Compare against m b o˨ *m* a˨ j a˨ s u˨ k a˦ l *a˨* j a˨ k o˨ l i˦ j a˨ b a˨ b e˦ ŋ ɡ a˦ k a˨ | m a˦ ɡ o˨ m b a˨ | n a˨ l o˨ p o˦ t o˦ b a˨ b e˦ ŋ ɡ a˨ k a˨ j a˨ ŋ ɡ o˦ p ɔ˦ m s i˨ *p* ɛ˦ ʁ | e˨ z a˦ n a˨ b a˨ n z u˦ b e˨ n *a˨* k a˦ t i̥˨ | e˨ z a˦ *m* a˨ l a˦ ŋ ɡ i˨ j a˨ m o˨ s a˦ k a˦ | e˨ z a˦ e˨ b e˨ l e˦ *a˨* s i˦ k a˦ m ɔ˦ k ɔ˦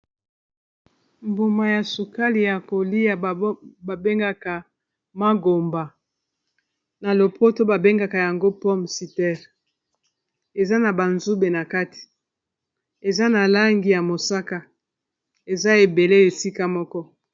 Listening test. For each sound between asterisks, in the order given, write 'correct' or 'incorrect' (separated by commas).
correct, incorrect, incorrect, correct, incorrect, incorrect